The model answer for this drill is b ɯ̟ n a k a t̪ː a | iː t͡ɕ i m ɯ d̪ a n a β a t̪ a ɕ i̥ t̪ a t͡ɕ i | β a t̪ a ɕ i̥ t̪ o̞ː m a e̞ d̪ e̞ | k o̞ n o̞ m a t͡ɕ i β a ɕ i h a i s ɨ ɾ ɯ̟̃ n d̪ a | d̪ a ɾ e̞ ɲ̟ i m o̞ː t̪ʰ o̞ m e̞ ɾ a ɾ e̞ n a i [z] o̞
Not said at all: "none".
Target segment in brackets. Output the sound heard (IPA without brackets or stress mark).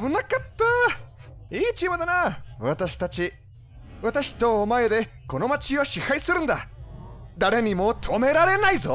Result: z